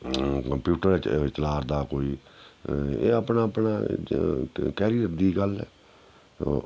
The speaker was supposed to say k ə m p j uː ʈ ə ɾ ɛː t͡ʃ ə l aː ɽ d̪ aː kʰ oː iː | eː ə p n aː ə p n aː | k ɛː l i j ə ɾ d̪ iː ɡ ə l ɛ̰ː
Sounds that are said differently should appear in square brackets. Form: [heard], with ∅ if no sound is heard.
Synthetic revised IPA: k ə m p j uː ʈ ə ɾ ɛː t͡ʃ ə l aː [ɾ] d̪ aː [k] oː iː | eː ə p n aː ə p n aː | k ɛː [ɾ] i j ə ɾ d̪ iː ɡ ə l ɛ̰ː